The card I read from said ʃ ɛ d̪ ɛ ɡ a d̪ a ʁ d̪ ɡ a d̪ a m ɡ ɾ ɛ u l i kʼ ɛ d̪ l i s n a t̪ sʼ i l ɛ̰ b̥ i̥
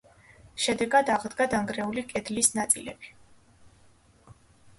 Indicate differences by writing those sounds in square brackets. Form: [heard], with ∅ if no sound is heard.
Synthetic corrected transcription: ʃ ɛ d̪ ɛ ɡ a d̪ a ʁ d̪ ɡ a d̪ a [ŋ] ɡ ɾ ɛ u l i kʼ ɛ d̪ l i s n a t̪ sʼ i l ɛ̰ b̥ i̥

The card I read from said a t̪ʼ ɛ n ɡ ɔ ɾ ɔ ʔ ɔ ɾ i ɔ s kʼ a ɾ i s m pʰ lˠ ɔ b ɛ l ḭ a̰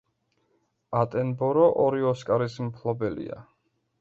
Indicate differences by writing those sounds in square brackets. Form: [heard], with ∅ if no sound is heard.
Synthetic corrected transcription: a t̪ʼ ɛ n [b] ɔ ɾ ɔ ʔ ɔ ɾ i ɔ s kʼ a ɾ i s m pʰ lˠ ɔ b ɛ l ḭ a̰

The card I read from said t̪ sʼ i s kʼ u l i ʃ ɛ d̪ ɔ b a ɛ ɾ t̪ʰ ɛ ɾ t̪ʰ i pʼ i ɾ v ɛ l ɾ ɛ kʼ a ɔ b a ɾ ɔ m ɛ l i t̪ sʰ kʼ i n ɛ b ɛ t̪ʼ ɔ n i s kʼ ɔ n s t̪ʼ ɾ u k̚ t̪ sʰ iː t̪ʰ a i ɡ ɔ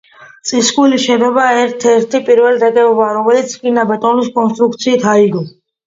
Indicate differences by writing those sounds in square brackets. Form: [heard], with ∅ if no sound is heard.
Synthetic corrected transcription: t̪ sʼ i s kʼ u l i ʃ ɛ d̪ ɔ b a ɛ ɾ t̪ʰ ɛ ɾ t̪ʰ i pʼ i ɾ v ɛ l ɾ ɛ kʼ [ɛ] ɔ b a ɾ ɔ m ɛ l i t̪ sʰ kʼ i n [a] b ɛ t̪ʼ ɔ n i s kʼ ɔ n s t̪ʼ ɾ u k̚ t̪ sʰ iː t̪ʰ a i ɡ ɔ

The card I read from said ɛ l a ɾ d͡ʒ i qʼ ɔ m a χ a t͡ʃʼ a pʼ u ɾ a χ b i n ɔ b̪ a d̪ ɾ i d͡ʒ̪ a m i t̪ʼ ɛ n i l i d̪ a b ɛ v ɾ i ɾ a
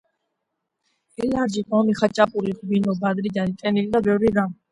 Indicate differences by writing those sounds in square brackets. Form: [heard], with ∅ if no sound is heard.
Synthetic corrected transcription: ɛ l a ɾ d͡ʒ i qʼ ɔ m [i] χ a t͡ʃʼ a pʼ u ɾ [i] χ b i n ɔ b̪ a d̪ ɾ i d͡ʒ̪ a [n] i t̪ʼ ɛ n i l i d̪ a b ɛ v ɾ i ɾ a

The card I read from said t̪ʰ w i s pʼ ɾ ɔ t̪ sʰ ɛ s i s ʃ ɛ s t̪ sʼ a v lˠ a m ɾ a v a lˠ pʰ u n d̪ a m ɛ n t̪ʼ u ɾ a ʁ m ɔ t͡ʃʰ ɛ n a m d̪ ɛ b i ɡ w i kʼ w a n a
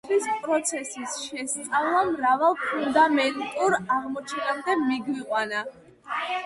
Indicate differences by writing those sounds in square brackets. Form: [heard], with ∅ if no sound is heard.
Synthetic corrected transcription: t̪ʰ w i s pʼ ɾ ɔ t̪ sʰ ɛ s i s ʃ ɛ s t̪ sʼ a v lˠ a m ɾ a v a lˠ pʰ u n d̪ a m ɛ n t̪ʼ u ɾ a ʁ m ɔ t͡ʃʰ ɛ n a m d̪ ɛ [m] i ɡ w i [qʼ] w a n a

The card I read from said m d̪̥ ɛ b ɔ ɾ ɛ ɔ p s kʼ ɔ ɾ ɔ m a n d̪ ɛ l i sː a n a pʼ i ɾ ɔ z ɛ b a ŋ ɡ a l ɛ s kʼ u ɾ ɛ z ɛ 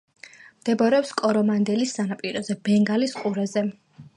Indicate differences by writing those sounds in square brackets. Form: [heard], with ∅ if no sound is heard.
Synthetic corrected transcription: m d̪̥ ɛ b ɔ ɾ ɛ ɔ p s kʼ ɔ ɾ ɔ m a n d̪ ɛ l i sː a n a pʼ i ɾ ɔ z ɛ b [ɛ] ŋ ɡ a l [i] s [qʼ] u ɾ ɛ z ɛ

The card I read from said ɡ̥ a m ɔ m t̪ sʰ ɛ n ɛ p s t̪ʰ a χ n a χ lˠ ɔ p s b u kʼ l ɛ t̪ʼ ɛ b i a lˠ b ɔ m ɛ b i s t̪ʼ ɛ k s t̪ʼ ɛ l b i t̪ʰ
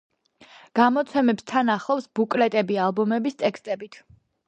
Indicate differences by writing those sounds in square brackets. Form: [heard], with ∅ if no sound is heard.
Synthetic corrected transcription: ɡ̥ a m ɔ [∅] t̪ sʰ ɛ [m] ɛ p s t̪ʰ a [∅] n a χ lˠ ɔ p s b u kʼ l ɛ t̪ʼ ɛ b i a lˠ b ɔ m ɛ b i s t̪ʼ ɛ k s t̪ʼ ɛ [∅] b i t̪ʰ

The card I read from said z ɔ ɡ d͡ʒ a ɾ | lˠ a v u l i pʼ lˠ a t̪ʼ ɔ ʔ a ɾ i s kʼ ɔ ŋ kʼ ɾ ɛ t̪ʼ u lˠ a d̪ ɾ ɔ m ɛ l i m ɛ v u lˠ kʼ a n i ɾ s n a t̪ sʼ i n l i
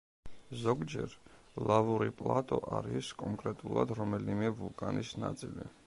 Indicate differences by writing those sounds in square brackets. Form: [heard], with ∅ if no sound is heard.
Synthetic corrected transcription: z ɔ ɡ d͡ʒ [ɛ] ɾ | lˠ a v u [ɾ] i pʼ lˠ a t̪ʼ ɔ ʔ a ɾ i s kʼ ɔ ŋ kʼ ɾ ɛ t̪ʼ u lˠ a d̪ ɾ ɔ m ɛ l i m ɛ v u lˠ kʼ a n i [∅] s n a t̪ sʼ i [∅] l i

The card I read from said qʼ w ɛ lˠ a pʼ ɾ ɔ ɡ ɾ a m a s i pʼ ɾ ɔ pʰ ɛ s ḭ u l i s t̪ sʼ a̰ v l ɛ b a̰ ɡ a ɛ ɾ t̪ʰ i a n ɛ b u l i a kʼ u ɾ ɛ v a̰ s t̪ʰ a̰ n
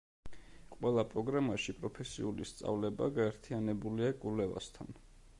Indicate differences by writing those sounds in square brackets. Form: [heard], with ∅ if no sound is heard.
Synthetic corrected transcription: qʼ w ɛ lˠ a pʼ ɾ ɔ ɡ ɾ a m a [ʃ] i pʼ ɾ ɔ pʰ ɛ s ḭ u l i s t̪ sʼ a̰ v l ɛ b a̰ ɡ a ɛ ɾ t̪ʰ i a n ɛ b u l i a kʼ u [l] ɛ v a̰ s t̪ʰ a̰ n

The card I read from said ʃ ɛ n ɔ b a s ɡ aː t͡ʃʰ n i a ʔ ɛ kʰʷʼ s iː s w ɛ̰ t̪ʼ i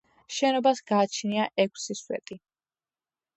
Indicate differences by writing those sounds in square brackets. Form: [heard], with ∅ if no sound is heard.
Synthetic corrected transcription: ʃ ɛ n ɔ b a s ɡ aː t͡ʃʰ n i a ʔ ɛ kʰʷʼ s [i] s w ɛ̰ t̪ʼ i

